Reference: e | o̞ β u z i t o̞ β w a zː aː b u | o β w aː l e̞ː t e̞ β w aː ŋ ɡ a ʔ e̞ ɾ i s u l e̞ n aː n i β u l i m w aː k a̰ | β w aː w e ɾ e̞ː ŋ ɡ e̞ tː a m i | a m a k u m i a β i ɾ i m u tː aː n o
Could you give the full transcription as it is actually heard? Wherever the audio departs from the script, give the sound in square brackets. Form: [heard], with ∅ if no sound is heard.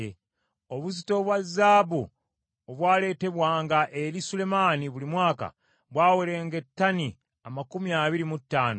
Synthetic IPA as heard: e | o̞ β u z i t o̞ β w a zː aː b u | o β w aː l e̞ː t e̞ β w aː ŋ ɡ a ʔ e̞ ɾ i s u l e̞ [m] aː n i β u l i m w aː k a̰ | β w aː w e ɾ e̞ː ŋ ɡ e̞ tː a [n] i | a m a k u m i a β i ɾ i m u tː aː n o